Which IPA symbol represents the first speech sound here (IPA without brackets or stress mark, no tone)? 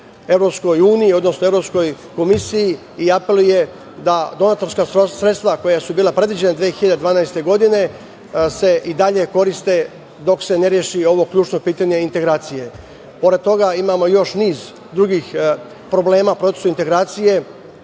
e̞